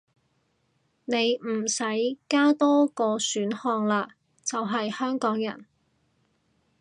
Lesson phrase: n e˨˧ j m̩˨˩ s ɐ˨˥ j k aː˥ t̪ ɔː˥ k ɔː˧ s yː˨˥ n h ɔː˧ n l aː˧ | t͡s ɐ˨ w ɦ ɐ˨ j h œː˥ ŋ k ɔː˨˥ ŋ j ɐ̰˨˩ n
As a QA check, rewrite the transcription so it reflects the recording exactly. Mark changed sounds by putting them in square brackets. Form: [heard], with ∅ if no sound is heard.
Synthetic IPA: n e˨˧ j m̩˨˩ s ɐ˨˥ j k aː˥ t̪ ɔː˥ k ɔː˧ s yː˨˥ n h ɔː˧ [ŋ] l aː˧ | t͡s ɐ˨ w ɦ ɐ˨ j h œː˥ ŋ k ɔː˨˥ ŋ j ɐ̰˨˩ n

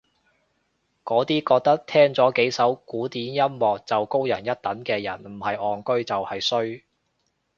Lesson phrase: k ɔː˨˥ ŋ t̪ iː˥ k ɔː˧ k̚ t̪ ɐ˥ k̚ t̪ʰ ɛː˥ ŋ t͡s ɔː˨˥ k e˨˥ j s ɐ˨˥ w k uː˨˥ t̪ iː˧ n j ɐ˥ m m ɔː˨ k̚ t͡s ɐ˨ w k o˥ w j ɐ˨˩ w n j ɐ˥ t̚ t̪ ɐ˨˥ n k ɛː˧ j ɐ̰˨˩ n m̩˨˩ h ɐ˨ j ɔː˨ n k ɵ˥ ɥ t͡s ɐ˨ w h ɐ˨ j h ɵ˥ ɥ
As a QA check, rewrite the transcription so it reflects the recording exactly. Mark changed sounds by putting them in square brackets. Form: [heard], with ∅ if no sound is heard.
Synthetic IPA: k ɔː˨˥ [∅] t̪ iː˥ k ɔː˧ k̚ t̪ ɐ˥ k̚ t̪ʰ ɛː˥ ŋ t͡s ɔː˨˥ k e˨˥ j s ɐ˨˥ w k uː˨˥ t̪ [iː˨˥] n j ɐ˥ m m ɔː˨ k̚ t͡s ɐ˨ w k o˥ w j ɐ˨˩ [∅] n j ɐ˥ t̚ t̪ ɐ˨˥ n k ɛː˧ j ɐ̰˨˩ n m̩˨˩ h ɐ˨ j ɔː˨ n k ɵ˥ ɥ t͡s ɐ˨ w h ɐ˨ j [s] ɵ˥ ɥ

